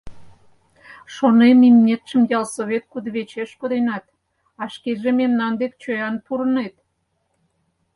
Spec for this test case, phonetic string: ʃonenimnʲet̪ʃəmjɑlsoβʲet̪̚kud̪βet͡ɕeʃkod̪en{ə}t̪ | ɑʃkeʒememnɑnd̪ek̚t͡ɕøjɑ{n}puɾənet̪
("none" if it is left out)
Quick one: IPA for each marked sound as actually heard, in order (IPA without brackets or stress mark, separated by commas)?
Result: ɑ, n